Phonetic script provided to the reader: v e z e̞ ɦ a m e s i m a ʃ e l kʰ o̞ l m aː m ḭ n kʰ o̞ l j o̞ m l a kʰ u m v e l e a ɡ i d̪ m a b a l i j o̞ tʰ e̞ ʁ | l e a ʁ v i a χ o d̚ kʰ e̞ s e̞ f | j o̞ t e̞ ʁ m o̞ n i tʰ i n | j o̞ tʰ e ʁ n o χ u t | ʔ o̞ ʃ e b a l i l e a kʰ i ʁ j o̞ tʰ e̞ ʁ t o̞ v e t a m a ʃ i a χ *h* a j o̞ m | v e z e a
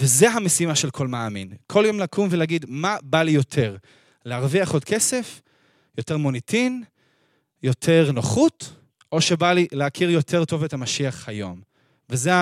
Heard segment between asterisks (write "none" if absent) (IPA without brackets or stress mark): h